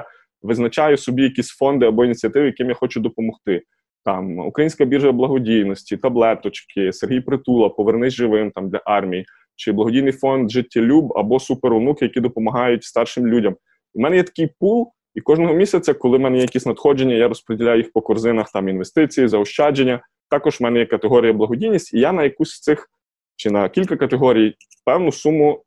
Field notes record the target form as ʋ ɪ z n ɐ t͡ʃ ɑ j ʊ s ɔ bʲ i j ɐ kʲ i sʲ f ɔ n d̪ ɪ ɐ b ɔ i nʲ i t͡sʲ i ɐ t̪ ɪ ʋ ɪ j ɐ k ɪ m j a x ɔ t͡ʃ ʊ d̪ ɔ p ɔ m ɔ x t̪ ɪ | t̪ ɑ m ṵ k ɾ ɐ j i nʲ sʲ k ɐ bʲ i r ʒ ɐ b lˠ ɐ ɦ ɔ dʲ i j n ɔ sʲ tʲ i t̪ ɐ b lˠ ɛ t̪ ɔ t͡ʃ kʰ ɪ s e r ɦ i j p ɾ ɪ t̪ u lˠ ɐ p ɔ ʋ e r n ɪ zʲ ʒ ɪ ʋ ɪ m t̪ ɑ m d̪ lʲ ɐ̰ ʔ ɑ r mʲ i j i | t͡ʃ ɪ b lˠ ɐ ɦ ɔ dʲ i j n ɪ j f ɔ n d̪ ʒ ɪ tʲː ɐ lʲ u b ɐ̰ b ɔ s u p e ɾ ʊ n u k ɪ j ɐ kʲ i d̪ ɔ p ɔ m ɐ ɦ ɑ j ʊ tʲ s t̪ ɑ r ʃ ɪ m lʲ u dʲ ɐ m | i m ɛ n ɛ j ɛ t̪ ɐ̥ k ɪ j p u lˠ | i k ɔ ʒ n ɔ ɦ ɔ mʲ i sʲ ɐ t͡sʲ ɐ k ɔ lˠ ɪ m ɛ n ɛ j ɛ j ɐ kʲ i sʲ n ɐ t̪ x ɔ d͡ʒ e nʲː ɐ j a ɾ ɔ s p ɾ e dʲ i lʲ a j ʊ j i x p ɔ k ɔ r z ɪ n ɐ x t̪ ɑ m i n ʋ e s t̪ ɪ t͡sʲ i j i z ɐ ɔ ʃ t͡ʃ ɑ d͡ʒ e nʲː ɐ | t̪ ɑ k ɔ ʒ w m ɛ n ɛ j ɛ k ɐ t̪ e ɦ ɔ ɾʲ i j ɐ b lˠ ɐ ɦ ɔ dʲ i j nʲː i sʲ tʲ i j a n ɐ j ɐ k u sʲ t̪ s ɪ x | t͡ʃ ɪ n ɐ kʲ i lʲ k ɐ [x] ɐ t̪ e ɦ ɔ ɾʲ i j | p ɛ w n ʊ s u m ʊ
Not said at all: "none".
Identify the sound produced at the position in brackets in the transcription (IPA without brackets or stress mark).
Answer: k